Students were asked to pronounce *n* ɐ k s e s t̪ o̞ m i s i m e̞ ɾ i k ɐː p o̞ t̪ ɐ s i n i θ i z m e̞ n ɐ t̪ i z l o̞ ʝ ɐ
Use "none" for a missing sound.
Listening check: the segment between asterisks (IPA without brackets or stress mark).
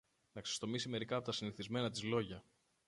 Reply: n